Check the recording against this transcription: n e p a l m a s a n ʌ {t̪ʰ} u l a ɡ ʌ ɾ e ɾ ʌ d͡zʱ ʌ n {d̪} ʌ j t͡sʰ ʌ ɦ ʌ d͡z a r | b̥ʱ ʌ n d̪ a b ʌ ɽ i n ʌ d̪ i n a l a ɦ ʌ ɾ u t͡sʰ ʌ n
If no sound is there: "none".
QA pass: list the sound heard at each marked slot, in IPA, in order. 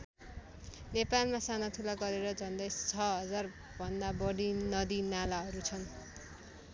t̪ʰ, d̪

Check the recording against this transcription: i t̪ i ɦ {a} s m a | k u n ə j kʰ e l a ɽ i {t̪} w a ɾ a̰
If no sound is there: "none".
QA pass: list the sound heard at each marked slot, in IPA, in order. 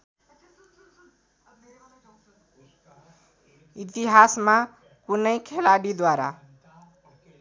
a, d̪

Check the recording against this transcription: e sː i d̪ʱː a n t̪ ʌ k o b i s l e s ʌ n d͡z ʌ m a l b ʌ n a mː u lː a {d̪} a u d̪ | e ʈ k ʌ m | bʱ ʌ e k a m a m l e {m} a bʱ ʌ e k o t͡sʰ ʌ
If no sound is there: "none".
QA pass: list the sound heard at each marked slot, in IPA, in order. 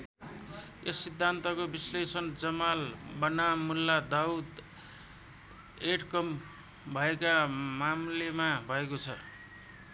d̪, m

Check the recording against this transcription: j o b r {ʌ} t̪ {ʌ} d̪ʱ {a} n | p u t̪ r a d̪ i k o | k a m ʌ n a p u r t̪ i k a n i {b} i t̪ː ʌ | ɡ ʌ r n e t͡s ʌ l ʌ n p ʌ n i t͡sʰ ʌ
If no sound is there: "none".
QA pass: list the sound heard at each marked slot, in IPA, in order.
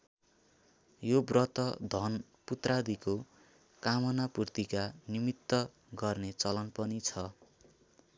ʌ, ʌ, ʌ, m

